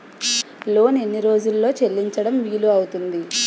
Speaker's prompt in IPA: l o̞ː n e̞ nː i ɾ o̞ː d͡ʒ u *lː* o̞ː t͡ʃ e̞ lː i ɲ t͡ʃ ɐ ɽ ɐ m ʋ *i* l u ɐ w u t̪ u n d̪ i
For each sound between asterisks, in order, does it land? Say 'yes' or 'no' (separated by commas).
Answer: yes, no